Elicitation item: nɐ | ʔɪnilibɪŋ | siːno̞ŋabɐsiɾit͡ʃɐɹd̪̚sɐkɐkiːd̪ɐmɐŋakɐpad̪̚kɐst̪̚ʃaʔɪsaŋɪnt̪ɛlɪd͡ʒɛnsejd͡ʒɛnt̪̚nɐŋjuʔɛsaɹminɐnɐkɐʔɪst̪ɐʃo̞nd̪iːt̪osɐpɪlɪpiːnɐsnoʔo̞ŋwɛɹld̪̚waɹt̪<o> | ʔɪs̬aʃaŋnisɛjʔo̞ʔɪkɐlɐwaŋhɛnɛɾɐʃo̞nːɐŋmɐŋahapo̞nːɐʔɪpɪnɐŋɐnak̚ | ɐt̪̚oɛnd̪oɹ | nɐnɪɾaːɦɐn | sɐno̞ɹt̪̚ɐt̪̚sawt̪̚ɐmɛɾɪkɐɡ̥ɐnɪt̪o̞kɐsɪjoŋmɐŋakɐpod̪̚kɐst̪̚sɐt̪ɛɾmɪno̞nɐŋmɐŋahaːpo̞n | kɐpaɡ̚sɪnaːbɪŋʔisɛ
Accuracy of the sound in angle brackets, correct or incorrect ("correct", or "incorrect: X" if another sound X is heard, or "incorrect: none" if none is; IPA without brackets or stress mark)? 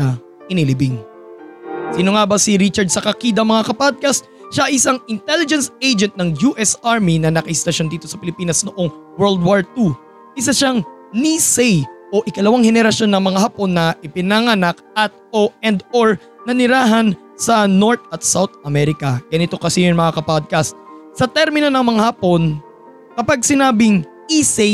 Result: incorrect: u